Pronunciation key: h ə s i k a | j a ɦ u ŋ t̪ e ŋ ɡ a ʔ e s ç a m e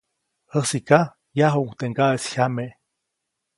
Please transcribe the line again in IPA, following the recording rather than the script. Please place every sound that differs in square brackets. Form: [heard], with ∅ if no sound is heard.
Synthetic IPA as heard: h ə s i k a | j a ɦ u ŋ t̪ e ŋ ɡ a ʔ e s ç a m e